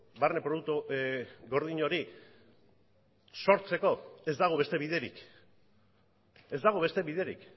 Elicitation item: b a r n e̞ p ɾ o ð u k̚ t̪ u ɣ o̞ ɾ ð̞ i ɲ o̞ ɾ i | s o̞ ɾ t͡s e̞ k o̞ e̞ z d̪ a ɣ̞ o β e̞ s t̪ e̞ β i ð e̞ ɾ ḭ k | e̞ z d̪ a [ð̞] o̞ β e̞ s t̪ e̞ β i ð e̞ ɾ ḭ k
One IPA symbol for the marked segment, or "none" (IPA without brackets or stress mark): ɣ̞